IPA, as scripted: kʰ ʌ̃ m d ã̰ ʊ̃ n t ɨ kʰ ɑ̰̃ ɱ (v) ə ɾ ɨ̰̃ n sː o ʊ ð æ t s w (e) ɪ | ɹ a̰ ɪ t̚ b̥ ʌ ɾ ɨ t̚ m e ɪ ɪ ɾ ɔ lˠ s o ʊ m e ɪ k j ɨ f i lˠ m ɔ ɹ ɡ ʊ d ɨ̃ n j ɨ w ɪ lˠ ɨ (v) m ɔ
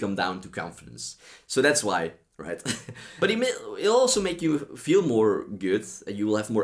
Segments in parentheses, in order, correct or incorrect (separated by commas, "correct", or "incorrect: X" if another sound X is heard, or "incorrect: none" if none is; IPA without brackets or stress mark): incorrect: f, incorrect: a, correct